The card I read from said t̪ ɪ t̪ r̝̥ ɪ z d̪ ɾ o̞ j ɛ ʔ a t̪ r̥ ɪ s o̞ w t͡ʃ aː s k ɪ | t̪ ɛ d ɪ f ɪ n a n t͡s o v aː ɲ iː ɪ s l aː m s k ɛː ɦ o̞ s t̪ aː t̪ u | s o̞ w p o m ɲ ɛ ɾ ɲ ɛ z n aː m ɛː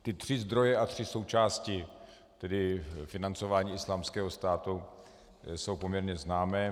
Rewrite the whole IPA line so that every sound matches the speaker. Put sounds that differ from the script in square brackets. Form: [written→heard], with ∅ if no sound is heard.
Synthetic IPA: t̪ ɪ t̪ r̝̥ ɪ z d̪ ɾ o̞ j ɛ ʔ a t̪ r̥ ɪ s o̞ w t͡ʃ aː s [k→c] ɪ | t̪ ɛ d ɪ f ɪ n a n t͡s o v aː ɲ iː ɪ s l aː m s k ɛː ɦ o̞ s t̪ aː t̪ u | s o̞ w p o m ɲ ɛ ɾ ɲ ɛ z n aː m ɛː